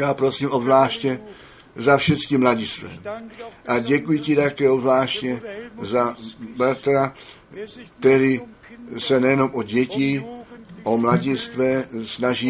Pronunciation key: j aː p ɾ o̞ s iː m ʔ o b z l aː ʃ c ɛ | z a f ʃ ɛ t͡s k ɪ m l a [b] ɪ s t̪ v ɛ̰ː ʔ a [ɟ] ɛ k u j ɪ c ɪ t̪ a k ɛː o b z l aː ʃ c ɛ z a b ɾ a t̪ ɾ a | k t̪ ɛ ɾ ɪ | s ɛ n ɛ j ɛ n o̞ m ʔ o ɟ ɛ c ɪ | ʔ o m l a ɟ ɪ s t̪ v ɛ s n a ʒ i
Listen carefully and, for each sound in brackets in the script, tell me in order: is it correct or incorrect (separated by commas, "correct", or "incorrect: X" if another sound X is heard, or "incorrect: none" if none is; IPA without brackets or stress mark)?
incorrect: ɟ, correct